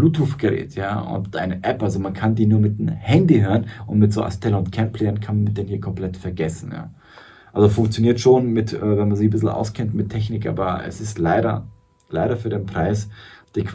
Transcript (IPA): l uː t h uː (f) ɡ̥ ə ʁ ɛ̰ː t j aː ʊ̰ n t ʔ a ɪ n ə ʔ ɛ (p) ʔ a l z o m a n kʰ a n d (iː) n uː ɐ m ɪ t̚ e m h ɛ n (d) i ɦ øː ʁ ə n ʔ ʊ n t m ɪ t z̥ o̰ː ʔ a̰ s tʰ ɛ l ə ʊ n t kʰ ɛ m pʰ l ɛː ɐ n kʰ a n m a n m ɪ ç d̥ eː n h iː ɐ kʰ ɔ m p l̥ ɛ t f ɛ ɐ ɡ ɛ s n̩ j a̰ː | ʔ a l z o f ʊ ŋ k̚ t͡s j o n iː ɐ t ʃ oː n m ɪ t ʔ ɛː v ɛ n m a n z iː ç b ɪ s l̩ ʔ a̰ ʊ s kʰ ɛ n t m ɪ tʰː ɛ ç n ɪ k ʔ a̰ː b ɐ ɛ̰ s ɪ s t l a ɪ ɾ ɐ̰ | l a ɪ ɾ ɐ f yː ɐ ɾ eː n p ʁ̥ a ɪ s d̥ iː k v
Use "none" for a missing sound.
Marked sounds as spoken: f, p, iː, d

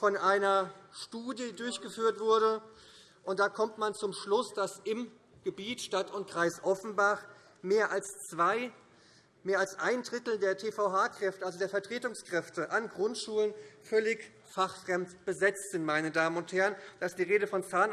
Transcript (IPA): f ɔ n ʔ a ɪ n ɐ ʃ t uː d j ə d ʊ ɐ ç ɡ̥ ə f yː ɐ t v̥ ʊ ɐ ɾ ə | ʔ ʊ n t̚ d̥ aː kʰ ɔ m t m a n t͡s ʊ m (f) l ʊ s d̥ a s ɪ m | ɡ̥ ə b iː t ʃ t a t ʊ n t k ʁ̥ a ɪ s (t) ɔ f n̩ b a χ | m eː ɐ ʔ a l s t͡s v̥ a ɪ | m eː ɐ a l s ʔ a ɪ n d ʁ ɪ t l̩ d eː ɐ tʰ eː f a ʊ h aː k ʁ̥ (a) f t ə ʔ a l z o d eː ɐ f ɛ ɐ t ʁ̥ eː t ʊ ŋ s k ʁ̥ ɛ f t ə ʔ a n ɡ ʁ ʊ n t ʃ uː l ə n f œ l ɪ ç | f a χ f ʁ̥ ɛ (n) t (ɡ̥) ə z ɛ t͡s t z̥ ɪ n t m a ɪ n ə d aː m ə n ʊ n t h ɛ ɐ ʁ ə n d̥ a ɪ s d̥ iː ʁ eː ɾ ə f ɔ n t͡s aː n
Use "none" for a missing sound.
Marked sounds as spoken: ʃ, ʔ, ɛ, m, b̥

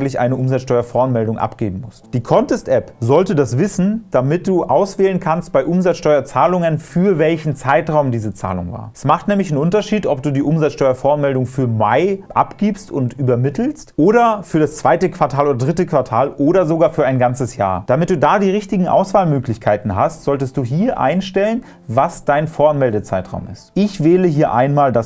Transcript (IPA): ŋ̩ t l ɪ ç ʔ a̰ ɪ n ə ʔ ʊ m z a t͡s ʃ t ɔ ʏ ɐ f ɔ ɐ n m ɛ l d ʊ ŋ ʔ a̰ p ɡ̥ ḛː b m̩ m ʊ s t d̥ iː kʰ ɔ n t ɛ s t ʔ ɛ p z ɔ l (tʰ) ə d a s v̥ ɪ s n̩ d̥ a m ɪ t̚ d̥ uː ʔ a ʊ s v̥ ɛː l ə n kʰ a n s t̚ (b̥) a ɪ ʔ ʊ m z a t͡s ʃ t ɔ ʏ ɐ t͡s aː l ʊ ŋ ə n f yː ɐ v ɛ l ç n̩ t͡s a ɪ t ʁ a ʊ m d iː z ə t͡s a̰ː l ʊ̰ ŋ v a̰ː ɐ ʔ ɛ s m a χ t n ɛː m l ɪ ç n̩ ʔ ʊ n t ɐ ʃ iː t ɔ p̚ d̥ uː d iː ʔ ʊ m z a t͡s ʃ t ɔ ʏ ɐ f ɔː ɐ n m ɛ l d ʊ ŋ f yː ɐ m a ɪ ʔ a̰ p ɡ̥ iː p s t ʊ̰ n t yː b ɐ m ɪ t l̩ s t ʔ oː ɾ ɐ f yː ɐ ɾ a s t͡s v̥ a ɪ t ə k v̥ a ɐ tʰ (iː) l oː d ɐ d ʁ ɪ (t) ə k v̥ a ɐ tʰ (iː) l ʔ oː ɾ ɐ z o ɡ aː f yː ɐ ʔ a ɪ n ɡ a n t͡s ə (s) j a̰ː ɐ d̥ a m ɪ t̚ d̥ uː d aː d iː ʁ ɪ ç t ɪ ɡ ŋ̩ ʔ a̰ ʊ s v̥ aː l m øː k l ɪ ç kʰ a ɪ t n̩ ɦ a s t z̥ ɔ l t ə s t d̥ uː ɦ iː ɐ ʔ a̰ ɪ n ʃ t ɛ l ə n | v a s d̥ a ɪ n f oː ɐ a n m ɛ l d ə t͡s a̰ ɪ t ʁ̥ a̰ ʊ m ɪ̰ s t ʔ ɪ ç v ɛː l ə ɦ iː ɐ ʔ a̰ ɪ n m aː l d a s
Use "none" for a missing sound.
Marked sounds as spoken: t, b̥, aː, t, aː, s

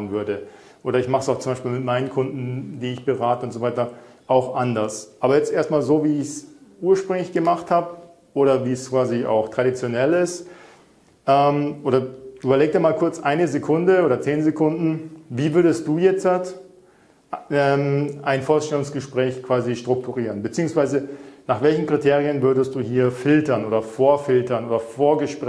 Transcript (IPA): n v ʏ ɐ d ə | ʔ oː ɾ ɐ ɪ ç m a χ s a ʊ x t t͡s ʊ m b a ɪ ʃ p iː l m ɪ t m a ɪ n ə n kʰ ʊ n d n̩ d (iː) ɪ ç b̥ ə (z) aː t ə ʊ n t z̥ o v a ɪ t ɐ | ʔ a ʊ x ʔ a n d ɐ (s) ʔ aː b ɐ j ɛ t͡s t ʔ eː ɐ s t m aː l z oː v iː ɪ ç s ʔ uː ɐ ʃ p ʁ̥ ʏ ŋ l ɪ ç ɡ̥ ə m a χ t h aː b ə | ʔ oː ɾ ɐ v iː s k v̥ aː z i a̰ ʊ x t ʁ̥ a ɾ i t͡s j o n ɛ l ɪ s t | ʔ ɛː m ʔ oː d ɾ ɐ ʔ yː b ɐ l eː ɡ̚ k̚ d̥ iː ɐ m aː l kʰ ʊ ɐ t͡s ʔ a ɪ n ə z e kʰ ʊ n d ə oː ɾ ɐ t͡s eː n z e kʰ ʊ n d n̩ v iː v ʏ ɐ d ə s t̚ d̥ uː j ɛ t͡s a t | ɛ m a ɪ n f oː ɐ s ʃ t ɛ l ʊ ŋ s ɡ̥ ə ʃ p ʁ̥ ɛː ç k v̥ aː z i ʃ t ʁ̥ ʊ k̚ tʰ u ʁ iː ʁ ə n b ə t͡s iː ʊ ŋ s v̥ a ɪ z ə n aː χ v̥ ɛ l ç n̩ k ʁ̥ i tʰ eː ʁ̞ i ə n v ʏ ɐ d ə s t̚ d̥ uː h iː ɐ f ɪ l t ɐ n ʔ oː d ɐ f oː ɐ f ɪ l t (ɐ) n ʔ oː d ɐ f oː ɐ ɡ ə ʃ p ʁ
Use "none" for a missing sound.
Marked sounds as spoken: iː, ʁ, s, ɐ

